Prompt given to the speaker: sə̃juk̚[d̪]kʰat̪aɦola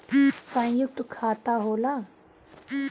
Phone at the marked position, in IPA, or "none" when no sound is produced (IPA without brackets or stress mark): t̪